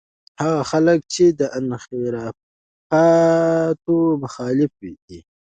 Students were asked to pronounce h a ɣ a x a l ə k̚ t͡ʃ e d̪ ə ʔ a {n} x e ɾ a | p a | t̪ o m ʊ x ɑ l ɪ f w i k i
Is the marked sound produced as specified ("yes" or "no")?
yes